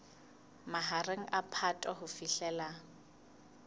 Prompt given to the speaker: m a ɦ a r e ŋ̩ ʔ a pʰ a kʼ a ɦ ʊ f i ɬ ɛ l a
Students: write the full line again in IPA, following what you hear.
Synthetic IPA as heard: m a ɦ a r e ŋ̩ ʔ a pʰ a tʼ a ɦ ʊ f i ɬ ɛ l a

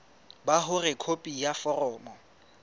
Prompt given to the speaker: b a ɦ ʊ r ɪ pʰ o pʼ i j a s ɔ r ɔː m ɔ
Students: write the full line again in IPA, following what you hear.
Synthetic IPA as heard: b a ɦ ʊ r ɪ kʰ o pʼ i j a f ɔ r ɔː m ɔ

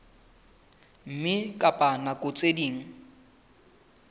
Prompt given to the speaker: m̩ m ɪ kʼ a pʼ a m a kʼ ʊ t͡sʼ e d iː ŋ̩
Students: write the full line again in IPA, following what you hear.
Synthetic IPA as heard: m̩ m ɪ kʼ a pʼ a n a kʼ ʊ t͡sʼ e d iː ŋ̩

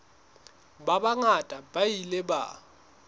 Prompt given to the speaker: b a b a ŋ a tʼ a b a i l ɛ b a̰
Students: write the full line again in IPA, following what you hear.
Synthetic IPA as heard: b a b a ŋ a tʼ a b a i l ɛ b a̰

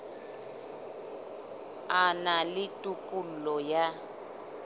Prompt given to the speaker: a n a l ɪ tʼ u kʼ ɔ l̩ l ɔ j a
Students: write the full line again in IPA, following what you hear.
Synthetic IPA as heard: a n a l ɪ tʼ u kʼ u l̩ l ɔ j a

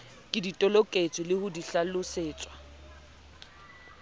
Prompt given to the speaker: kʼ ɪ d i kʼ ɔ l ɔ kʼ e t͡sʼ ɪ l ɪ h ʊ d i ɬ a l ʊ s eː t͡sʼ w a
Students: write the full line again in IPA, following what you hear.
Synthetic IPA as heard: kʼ ɪ d i tʼ ɔ l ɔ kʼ e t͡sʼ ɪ l ɪ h ʊ d i ɬ a l ʊ s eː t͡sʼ w a

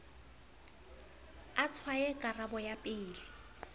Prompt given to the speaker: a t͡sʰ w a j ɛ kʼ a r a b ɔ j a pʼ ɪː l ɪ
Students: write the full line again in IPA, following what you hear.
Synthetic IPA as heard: a t͡sʰ w a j ɛ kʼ a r a b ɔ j a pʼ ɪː l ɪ

